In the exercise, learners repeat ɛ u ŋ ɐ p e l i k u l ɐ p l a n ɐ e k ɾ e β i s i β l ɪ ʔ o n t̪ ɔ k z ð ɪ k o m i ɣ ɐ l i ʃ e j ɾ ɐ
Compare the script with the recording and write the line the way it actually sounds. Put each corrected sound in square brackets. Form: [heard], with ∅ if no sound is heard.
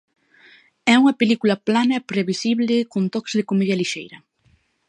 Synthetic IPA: ɛ u ŋ ɐ p e l i k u l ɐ p l a n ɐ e [p] ɾ e β i s i β l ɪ [k] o n t̪ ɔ k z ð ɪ k o m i [ð] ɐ l i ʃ e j ɾ ɐ

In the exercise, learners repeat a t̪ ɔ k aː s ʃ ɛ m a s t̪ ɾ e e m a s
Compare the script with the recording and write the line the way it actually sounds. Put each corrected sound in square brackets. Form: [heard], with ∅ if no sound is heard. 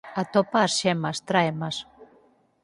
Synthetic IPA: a t̪ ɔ [p] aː s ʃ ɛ m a s t̪ ɾ [a] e m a s

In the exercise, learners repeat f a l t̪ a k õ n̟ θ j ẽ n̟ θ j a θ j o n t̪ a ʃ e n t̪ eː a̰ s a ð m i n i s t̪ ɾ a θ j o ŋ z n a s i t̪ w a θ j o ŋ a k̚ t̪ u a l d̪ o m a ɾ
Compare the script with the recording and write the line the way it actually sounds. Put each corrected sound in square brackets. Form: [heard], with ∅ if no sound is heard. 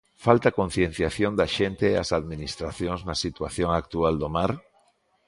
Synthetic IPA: f a l t̪ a k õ n̟ θ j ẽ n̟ θ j a θ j o n [d̪] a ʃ e n t̪ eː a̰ s a ð m i n i s t̪ ɾ a θ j o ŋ z n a s i t̪ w a θ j o ŋ a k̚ t̪ u a l d̪ o m a ɾ

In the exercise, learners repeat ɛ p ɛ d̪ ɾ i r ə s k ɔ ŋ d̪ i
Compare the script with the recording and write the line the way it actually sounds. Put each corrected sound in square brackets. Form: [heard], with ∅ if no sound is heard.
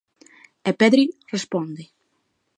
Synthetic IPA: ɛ p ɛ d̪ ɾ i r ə s [p] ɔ [n] d̪ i

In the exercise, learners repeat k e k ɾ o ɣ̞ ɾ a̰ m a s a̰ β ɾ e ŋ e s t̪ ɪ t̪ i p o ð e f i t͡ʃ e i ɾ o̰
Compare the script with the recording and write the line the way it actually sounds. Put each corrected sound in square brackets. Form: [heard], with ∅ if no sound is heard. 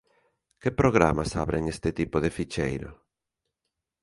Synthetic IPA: k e [p] ɾ o ɣ̞ ɾ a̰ m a s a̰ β ɾ e ŋ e s t̪ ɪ t̪ i p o ð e f i t͡ʃ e [j] ɾ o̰

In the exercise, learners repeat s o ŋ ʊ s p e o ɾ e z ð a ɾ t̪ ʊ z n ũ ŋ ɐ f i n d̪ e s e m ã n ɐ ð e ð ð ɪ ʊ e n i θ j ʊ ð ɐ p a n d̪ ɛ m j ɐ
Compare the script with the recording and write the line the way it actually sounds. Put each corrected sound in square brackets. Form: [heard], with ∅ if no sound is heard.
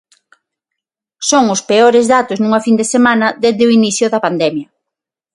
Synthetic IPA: s o ŋ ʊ s p e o ɾ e z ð a [∅] t̪ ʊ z n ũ ŋ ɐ f i n d̪ e s e m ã n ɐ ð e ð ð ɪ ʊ [i] n i θ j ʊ ð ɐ p a n d̪ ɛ m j ɐ

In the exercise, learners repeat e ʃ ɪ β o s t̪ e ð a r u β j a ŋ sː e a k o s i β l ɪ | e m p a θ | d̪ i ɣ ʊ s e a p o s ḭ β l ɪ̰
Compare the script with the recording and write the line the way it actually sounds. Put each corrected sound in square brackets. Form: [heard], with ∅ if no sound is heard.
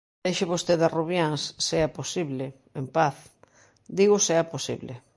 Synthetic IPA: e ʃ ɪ β o s t̪ e ð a r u β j a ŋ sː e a [p] o s i β l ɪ | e m p a θ | d̪ i ɣ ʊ s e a p o s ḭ β l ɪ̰

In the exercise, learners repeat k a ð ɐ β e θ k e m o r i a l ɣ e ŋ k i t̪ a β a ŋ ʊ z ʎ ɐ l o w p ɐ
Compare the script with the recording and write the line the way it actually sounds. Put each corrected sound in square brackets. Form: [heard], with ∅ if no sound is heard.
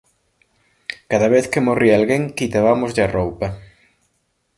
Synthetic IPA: k a ð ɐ β e θ k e m o r i a l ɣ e ŋ k i t̪ a β a [m] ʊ z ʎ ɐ [r] o w p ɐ

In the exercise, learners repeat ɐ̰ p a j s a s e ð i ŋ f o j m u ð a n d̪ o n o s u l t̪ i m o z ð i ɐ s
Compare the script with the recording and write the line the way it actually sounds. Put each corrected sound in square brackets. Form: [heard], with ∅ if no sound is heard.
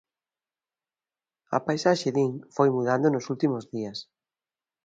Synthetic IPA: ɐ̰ p a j s a [ʃ] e ð i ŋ f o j m u ð a n d̪ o n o s u l t̪ i m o z ð i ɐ s

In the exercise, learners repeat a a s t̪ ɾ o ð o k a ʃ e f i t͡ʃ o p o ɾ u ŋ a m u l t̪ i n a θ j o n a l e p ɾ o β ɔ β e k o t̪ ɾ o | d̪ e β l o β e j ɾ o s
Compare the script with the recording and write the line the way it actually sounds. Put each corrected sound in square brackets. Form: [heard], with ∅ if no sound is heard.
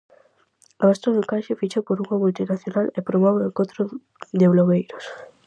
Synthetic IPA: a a s t̪ ɾ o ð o k a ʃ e f i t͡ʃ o p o ɾ u ŋ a m u l t̪ i n a θ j o n a l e p ɾ o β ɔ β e k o t̪ ɾ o | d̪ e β l o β e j ɾ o s

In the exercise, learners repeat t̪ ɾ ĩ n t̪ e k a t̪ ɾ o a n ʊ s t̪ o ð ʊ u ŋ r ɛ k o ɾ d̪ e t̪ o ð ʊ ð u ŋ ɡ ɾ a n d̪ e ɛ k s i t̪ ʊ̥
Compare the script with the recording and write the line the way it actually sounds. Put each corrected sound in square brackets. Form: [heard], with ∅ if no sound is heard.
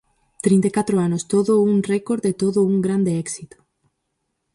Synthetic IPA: t̪ ɾ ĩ n t̪ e k a t̪ ɾ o a n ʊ s t̪ o ð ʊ u ŋ r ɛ k o ɾ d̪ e t̪ o ð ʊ [∅] u ŋ ɡ ɾ a n d̪ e ɛ k s i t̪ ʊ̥

